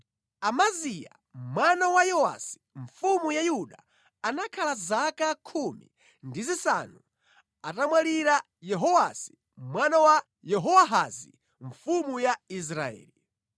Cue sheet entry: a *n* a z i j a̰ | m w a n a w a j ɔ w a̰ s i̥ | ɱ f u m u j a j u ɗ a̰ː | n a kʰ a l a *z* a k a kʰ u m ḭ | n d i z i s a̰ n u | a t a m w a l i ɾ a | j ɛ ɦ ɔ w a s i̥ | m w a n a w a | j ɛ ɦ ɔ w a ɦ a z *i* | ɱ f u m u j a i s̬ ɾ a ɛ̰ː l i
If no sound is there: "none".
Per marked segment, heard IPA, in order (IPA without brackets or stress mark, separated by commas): m, z, i